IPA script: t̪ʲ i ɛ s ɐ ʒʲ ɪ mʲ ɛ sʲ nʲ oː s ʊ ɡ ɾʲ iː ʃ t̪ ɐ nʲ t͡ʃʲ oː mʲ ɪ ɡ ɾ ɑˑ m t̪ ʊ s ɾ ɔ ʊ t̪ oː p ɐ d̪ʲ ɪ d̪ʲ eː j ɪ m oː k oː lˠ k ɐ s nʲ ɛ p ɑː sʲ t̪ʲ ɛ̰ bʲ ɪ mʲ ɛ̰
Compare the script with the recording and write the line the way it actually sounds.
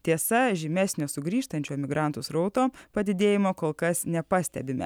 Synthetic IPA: t̪ʲ i ɛ s ɐ ʒʲ ɪ mʲ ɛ sʲ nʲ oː s ʊ ɡ ɾʲ iː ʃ t̪ ɐ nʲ t͡ʃʲ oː mʲ ɪ ɡ ɾ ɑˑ n t̪ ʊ s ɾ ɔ ʊ t̪ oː p ɐ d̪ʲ ɪ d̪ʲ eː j ɪ m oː k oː lˠ k ɐ s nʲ ɛ p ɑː sʲ t̪ʲ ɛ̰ bʲ ɪ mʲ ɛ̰

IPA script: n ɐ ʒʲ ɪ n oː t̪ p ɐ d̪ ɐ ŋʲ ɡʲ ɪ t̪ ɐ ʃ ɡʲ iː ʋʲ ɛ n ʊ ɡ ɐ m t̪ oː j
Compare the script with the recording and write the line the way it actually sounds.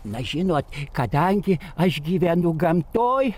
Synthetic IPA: n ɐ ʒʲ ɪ n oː t̪ k ɐ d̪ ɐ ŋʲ ɡʲ ɪ ɐ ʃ ɡʲ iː ʋʲ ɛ n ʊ ɡ ɐ m t̪ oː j

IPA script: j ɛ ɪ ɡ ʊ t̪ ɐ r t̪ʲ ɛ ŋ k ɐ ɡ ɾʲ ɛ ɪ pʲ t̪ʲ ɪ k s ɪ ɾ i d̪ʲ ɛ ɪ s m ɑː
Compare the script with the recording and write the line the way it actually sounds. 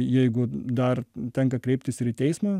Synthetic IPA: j ɛ ɪ ɡ ʊ d̪ ɐ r t̪ʲ ɛ ŋ k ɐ k ɾʲ ɛ ɪ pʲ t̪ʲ ɪ s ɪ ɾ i t̪ʲ ɛ ɪ s m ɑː

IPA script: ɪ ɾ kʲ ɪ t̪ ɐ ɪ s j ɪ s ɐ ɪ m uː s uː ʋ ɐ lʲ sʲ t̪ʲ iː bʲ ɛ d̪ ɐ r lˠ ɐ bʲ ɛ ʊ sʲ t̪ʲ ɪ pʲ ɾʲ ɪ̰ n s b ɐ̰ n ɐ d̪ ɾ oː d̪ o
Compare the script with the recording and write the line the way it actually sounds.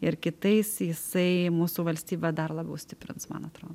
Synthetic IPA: ɪ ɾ kʲ ɪ t̪ ɐ ɪ s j ɪ s ɐ ɪ m uː s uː ʋ ɐ lʲ sʲ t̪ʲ iː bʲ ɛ d̪ ɐ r lˠ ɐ bʲ ɛ ʊ sʲ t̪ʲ ɪ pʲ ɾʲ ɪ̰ n s m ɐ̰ n ɐ t̪ ɾ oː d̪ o

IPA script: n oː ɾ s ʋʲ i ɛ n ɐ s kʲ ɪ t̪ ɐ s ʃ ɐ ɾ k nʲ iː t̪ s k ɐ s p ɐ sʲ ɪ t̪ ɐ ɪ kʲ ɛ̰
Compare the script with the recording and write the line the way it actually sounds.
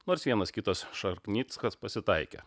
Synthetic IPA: n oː ɾ s ʋʲ i ɛ n ɐ s kʲ ɪ t̪ ɐ s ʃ ɐ ɾ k nʲ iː t̪ s k ɐ s p ɐ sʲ ɪ t̪ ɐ ɪ kʲ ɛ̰

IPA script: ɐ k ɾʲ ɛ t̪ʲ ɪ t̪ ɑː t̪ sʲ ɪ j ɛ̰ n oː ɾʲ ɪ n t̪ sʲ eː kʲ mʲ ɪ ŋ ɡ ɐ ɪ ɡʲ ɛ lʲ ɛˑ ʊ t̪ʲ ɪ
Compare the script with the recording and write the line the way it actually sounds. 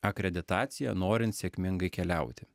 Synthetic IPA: ɐ k ɾʲ ɛ d̪ʲ ɪ t̪ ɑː t̪ sʲ ɪ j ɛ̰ n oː ɾʲ ɪ n t̪ sʲ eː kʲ mʲ ɪ ŋ ɡ ɐ ɪ kʲ ɛ lʲ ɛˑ ʊ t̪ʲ ɪ

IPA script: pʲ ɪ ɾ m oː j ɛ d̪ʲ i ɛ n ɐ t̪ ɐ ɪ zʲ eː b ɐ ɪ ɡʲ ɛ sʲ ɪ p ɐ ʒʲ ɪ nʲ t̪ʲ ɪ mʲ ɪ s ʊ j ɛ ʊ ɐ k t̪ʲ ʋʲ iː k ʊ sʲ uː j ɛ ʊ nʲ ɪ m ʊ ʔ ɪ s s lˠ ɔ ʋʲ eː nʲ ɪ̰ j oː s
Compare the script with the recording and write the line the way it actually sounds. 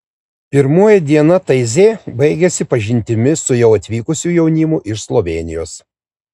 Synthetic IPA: pʲ ɪ ɾ m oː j ɛ d̪ʲ i ɛ n ɐ t̪ ɐ ɪ zʲ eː b ɐ ɪ ɡʲ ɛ sʲ ɪ p ɐ ʒʲ ɪ nʲ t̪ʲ ɪ mʲ ɪ s ʊ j ɛ ʊ ɐ t̪ʲ ʋʲ iː k ʊ sʲ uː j ɛ ʊ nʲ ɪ m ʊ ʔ ɪ ʃ s lˠ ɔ ʋʲ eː nʲ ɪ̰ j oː s

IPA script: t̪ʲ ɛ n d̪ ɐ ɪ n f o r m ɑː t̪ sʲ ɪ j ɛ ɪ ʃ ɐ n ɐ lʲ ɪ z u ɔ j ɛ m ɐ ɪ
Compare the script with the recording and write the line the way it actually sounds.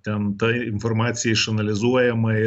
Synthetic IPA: t̪ʲ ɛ n t̪ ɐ ɪ n f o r m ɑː t̪ sʲ ɪ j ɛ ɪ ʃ ɐ n ɐ lʲ ɪ z u ɔ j ɛ m ɐ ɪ

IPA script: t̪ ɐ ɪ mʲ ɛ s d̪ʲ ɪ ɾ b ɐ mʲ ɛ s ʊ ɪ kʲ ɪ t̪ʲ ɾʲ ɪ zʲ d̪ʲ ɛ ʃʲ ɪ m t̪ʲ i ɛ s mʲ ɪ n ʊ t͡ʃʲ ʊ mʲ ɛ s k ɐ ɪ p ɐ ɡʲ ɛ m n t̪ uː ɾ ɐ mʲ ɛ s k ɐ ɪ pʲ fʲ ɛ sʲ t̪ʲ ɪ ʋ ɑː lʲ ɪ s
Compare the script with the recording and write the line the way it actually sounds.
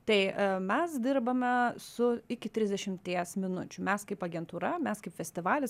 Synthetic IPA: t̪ ɐ ɪ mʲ ɛ s d̪ʲ ɪ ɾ b ɐ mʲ ɛ s ʊ ɪ kʲ ɪ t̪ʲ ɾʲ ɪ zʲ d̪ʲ ɛ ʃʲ ɪ m t̪ʲ i ɛ s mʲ ɪ n ʊ t͡ʃʲ ʊ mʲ ɛ s k ɐ ɪ p ɐ ɡʲ ɛ n t̪ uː ɾ ɐ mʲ ɛ s k ɐ ɪ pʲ fʲ ɛ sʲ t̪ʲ ɪ ʋ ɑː lʲ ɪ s

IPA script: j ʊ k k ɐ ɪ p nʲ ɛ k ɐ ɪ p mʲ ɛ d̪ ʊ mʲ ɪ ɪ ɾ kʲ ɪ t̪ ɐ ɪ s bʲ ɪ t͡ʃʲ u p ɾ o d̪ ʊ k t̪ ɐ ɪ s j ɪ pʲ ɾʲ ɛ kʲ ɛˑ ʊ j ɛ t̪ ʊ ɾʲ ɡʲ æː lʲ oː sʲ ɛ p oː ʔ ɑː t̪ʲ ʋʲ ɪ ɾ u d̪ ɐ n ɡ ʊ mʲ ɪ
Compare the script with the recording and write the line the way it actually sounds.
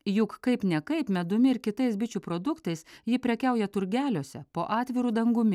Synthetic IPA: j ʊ k k ɐ ɪ p nʲ ɛ k ɐ ɪ p mʲ ɛ d̪ ʊ mʲ ɪ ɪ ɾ kʲ ɪ t̪ ɐ ɪ s bʲ ɪ t͡ʃʲ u p ɾ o d̪ ʊ k t̪ ɐ ɪ s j ɪ pʲ ɾʲ ɛ kʲ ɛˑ ʊ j ɛ t̪ ʊ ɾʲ ɡʲ æː lʲ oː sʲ ɛ p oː ʔ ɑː t̪ʲ ʋʲ ɪ ɾ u d̪ ɐ ŋ ɡ ʊ mʲ ɪ

